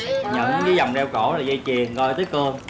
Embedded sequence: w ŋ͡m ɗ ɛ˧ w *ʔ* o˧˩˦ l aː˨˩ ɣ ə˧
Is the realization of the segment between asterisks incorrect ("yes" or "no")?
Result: yes